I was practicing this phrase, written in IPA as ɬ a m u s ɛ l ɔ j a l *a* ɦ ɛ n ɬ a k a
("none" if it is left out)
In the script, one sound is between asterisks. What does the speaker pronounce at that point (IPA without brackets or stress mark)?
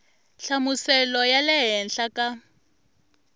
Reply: ɛ